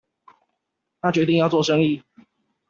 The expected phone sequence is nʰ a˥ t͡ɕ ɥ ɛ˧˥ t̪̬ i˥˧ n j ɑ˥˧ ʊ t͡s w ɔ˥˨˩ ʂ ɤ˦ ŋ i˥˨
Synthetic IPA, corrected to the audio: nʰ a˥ t͡ɕ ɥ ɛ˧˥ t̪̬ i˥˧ ŋ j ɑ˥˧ ʊ t͡s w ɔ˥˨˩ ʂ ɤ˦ ŋ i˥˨